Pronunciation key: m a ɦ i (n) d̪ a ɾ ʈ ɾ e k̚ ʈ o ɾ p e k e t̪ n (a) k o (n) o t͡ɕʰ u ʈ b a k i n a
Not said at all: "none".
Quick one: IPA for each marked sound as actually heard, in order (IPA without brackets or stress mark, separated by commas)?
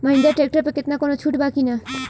n, a, n